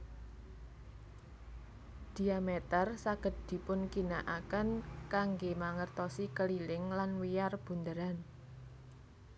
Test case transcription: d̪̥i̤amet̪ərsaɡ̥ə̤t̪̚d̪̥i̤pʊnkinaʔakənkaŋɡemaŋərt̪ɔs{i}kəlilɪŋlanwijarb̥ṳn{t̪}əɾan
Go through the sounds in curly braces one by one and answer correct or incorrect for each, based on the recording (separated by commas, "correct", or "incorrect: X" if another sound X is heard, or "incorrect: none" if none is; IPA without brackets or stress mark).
correct, incorrect: d̪